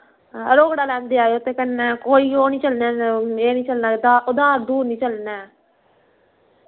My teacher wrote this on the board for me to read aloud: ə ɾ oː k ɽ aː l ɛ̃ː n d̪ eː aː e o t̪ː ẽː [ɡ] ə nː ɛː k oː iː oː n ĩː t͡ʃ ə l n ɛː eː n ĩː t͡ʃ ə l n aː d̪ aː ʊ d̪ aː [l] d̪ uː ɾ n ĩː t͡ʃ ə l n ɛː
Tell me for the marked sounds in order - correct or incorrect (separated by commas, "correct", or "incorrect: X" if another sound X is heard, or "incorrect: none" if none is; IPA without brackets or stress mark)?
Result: incorrect: k, incorrect: ɾ